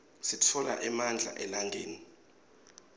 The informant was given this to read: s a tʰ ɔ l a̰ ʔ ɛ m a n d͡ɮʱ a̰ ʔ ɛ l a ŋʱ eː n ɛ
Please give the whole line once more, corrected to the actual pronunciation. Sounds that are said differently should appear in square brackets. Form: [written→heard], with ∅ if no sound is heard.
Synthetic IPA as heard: s [a→i] tʰ ɔ l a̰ ʔ ɛ m a n d͡ɮʱ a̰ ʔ ɛ l a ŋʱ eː n [ɛ→i]